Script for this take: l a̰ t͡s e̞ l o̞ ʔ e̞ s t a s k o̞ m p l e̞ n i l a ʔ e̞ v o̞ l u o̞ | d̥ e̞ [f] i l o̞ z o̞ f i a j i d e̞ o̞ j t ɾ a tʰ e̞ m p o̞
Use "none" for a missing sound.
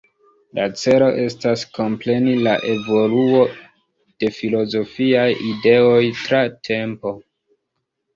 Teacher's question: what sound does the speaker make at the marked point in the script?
f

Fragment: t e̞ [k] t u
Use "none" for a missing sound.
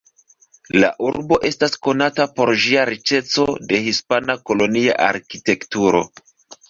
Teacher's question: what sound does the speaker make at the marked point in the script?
k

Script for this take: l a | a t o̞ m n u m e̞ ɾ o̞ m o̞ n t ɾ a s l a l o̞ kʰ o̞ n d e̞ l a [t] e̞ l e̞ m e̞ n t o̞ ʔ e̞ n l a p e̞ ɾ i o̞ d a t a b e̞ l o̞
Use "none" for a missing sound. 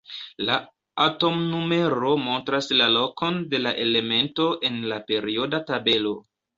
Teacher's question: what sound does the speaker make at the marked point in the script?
ʔ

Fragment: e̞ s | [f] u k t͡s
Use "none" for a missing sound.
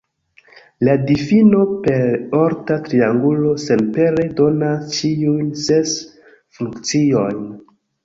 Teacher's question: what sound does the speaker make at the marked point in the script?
f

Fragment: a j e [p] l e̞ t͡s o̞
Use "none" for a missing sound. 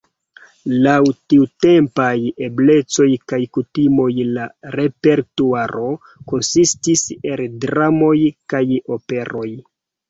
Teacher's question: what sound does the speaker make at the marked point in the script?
b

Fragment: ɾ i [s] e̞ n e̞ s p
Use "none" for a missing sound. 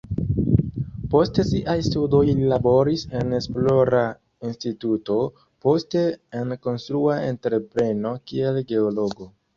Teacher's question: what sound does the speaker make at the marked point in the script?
s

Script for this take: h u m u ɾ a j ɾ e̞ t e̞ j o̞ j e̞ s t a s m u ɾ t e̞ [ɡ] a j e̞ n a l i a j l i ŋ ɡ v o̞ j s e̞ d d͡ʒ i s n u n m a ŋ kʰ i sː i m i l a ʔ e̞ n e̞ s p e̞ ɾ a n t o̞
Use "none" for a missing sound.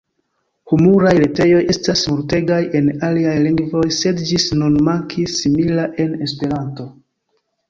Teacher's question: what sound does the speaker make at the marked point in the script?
ɡ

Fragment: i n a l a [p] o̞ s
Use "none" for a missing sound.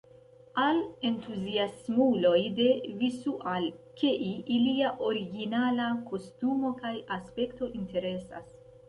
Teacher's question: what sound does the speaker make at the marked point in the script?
k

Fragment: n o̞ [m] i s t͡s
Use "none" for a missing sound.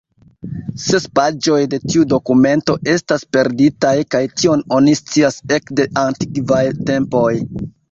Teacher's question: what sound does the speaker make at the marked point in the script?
n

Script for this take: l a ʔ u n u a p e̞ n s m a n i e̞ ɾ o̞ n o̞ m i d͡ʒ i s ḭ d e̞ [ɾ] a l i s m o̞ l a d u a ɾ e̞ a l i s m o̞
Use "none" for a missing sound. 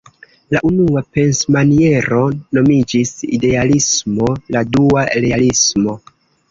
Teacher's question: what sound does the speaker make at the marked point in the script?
none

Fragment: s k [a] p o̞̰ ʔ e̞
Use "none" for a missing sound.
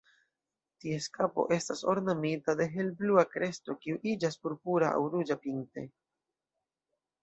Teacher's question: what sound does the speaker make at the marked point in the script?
a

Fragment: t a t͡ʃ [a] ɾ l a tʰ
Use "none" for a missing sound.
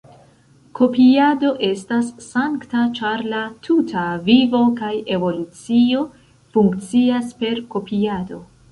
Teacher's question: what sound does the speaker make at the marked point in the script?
a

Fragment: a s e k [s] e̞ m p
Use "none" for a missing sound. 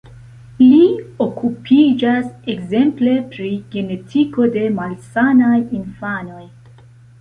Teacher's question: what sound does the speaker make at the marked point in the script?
z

